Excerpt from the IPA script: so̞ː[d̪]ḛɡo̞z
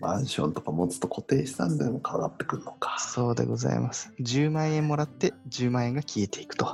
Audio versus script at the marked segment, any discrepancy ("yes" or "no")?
no